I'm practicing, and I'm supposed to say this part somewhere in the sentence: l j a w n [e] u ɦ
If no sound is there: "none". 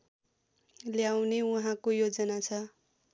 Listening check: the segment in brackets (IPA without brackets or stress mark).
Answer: e